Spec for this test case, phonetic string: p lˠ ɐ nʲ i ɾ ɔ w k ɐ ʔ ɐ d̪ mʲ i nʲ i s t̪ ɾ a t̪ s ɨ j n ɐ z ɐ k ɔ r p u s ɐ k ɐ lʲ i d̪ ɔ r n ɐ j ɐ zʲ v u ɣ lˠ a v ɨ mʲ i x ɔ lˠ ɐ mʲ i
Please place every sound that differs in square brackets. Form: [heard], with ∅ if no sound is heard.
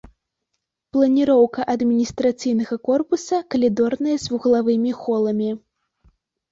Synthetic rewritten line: p lˠ ɐ nʲ i ɾ ɔ w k ɐ ʔ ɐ d̪ mʲ i nʲ i s t̪ ɾ a t̪ s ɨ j n ɐ [ɣ] ɐ k ɔ r p u s ɐ k ɐ lʲ i d̪ ɔ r n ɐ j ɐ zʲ v u ɣ lˠ a v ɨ mʲ i x ɔ lˠ ɐ mʲ i